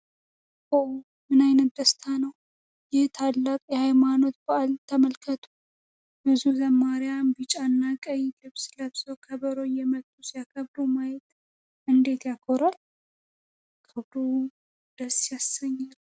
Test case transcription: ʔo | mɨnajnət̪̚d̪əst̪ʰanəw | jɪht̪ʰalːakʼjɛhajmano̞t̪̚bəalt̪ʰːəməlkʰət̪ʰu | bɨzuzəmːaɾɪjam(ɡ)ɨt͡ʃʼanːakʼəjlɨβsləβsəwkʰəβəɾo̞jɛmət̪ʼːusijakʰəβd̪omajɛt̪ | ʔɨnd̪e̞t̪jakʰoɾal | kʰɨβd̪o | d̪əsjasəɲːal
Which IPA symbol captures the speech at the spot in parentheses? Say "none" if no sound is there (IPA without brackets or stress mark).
b